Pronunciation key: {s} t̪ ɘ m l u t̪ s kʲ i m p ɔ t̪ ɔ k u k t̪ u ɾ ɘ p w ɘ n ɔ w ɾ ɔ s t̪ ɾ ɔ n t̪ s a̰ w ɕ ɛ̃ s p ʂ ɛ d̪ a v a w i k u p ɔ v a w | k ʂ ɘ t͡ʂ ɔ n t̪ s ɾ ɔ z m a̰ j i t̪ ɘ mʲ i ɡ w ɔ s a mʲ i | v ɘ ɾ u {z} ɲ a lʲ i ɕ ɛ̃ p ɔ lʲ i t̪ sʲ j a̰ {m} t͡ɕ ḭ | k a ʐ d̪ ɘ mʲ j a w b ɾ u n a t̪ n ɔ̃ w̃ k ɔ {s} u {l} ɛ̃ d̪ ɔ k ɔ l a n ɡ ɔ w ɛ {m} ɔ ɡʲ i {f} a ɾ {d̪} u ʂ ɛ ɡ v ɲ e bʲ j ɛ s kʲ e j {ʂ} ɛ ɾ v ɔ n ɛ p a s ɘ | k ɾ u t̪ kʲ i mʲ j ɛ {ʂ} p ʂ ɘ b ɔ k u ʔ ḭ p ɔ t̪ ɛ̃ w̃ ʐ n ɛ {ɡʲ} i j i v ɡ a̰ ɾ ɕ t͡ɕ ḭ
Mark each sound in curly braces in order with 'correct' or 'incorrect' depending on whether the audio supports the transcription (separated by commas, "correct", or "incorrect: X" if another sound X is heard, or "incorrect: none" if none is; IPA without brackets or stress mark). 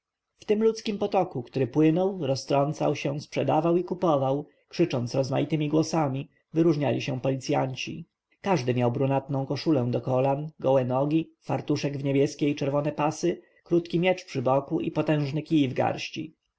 incorrect: f, incorrect: ʐ, incorrect: ɲ, incorrect: ʂ, correct, incorrect: n, correct, incorrect: t̪, incorrect: t͡ʂ, incorrect: t͡ʂ, incorrect: kʲ